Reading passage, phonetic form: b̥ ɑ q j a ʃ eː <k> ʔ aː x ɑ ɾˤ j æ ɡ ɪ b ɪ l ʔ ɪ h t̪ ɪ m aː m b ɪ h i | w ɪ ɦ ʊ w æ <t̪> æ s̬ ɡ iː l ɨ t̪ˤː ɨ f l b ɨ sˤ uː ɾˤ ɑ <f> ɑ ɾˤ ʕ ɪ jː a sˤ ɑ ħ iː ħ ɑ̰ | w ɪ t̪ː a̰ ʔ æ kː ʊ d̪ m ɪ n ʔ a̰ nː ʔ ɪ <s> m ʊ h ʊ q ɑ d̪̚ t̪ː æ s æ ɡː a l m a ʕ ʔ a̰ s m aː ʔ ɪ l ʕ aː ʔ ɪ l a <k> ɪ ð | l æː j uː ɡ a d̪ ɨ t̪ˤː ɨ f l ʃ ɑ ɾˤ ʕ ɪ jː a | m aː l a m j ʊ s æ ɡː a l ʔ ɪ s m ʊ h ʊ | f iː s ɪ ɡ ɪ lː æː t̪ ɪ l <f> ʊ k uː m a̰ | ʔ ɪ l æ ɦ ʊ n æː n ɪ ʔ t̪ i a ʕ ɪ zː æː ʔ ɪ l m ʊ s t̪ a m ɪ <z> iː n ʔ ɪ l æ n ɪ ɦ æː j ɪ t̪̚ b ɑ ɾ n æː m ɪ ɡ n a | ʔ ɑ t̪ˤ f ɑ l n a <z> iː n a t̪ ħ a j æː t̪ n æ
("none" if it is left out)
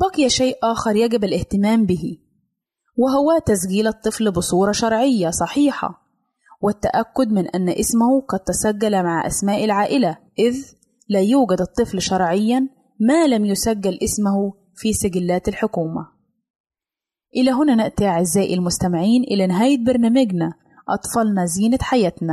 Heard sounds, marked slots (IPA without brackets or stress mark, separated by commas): ʔ, t̪, ʃ, s, ʔ, ħ, ʕ, z